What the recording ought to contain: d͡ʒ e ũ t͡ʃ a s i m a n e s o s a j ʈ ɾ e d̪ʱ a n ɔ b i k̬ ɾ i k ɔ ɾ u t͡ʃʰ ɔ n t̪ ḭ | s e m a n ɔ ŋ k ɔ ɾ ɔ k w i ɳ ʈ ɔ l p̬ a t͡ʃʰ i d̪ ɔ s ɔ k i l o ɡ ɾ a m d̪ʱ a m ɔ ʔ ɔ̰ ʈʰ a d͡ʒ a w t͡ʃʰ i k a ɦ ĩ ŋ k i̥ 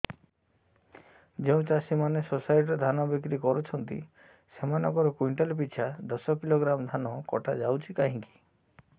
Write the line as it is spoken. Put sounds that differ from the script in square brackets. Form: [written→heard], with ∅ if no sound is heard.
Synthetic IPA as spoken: d͡ʒ e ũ t͡ʃ a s i m a n e s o s a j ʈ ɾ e d̪ʱ a n ɔ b i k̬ ɾ i k ɔ ɾ u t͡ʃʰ ɔ n t̪ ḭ | s e m a n ɔ ŋ k ɔ ɾ ɔ k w i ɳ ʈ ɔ l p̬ [a→i] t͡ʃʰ [i→a] d̪ ɔ s ɔ k i l o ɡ ɾ a m d̪ʱ a [m→n] ɔ [ʔ→k] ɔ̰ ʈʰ a d͡ʒ a w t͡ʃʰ i k a ɦ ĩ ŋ k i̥